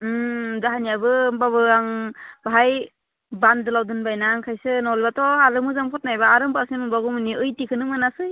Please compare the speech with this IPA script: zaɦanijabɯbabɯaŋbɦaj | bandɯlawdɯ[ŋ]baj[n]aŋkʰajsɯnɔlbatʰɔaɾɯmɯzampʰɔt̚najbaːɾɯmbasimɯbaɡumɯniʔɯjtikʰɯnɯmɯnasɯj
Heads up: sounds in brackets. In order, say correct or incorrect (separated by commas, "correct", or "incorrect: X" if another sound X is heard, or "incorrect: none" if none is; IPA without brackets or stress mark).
incorrect: n, correct